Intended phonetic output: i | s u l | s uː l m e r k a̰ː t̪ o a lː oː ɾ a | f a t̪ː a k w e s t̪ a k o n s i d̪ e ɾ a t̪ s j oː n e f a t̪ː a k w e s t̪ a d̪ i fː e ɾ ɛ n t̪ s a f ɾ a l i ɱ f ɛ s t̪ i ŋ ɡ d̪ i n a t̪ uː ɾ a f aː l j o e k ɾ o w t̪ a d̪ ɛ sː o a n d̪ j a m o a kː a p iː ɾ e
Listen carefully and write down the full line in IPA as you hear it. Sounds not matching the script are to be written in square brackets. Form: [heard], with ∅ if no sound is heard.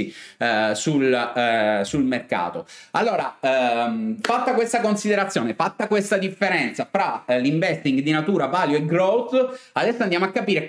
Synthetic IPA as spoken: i | s u l | s [u] l m e r k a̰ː t̪ o a lː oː ɾ a | f a t̪ː a k w e s t̪ a k o n s i d̪ e ɾ a t̪ s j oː n e f a t̪ː a k w e s t̪ a d̪ i fː e ɾ ɛ n t̪ s a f ɾ a l i ɱ [v] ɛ s t̪ i ŋ ɡ d̪ i n a t̪ uː ɾ a [v] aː l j o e [ɡ] ɾ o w t̪ a d̪ ɛ sː o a n d̪ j a m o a kː a p iː ɾ e